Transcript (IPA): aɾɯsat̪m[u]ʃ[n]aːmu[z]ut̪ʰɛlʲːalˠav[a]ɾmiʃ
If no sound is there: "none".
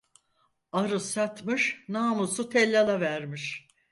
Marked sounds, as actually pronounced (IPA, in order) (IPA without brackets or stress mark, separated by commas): ɯ, n, s, æ